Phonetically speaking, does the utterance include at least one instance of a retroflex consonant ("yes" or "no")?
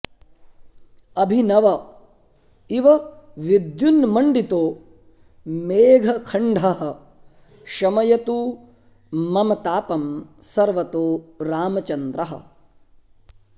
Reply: yes